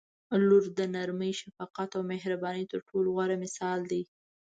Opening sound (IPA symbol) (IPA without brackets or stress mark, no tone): l